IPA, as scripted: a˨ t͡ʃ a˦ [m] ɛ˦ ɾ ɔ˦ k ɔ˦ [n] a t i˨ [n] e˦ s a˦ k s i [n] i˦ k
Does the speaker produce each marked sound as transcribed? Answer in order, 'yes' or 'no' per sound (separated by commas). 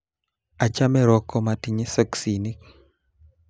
yes, no, no, yes